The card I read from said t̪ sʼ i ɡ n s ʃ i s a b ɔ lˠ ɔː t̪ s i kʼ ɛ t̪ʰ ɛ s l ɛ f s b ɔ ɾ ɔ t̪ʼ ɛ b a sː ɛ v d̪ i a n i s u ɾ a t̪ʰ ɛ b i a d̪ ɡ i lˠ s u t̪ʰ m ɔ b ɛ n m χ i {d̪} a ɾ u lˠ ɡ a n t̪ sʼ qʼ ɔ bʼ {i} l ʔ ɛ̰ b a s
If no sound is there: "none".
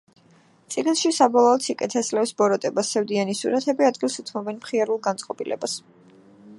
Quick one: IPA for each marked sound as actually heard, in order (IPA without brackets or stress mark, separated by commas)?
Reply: none, i